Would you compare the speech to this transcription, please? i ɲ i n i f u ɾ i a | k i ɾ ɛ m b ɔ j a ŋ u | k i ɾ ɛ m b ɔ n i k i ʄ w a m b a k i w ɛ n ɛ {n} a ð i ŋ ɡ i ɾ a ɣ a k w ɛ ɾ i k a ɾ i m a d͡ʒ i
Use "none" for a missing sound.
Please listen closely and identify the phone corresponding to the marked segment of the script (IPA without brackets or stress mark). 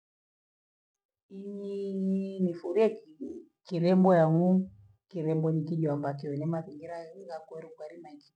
m